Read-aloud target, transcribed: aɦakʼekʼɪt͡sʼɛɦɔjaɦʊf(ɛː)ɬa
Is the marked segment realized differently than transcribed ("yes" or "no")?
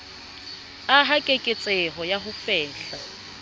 no